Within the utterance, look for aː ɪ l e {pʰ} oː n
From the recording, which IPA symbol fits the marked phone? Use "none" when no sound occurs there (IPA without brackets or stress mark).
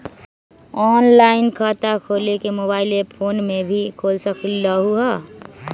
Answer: pʰ